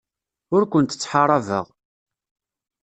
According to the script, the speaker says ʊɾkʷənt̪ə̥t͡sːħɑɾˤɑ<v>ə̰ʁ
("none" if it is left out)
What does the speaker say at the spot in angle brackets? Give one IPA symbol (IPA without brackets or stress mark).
v